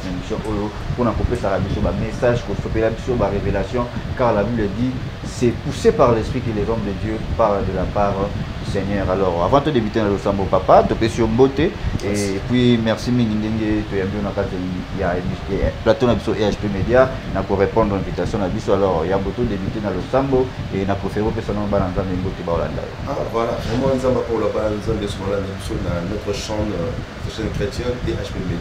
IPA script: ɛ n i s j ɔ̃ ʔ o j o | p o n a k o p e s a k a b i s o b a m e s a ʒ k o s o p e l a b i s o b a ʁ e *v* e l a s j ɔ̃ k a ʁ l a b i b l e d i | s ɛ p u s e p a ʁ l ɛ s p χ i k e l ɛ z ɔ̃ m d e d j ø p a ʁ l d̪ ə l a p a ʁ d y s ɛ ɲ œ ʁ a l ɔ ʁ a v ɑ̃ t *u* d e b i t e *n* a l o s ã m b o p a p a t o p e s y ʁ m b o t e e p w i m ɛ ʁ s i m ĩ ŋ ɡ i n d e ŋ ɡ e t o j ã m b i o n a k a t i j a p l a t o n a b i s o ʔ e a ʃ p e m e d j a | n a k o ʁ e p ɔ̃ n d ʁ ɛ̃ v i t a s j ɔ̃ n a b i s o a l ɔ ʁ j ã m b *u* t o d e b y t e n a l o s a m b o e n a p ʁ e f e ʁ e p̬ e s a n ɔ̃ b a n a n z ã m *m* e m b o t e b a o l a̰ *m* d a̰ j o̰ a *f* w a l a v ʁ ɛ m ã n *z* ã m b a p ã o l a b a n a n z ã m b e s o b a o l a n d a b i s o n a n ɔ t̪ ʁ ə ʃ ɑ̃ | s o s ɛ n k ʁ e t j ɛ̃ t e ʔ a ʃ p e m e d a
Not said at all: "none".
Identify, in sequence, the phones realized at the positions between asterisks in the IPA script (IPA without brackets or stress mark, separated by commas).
v, o, n, o, b, n, v, z